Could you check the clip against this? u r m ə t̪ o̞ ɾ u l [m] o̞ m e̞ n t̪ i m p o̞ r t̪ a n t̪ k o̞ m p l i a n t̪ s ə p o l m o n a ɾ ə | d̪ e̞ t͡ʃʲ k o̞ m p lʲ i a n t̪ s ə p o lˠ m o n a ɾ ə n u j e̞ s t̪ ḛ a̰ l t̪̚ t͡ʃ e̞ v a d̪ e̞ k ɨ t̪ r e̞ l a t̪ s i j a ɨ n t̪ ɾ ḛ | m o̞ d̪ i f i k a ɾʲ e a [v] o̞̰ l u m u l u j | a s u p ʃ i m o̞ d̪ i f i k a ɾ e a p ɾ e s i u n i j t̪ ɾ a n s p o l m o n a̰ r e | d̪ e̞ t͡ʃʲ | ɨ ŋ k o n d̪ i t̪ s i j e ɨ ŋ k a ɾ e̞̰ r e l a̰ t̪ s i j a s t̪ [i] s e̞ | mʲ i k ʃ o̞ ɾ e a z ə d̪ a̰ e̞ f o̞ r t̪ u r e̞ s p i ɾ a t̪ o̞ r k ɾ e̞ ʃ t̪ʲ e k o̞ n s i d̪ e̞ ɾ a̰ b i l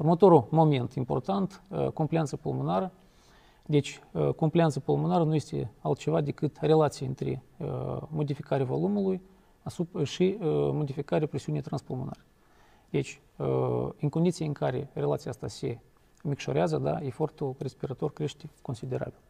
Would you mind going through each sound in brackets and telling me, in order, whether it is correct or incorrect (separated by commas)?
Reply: correct, correct, incorrect